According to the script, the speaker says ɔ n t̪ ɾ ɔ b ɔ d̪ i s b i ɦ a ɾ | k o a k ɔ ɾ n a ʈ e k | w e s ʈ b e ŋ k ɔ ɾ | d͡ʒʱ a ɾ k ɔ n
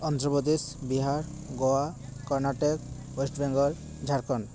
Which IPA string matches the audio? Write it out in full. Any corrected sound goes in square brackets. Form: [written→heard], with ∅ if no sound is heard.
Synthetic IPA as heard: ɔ n t̪ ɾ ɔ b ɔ d̪ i s b i ɦ a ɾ | [k→ɡ] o a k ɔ ɾ n a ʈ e k | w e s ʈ b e ŋ [k→ɡ] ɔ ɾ | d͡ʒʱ a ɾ k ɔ n